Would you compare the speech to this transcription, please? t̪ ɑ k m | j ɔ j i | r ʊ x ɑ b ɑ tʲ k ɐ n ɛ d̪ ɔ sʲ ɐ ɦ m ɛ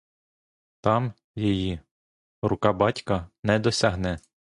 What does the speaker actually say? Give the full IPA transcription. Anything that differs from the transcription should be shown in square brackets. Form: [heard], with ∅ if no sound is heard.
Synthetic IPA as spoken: t̪ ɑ [∅] m | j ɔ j i | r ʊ [k] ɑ b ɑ tʲ k ɐ n ɛ d̪ ɔ sʲ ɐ ɦ [n] ɛ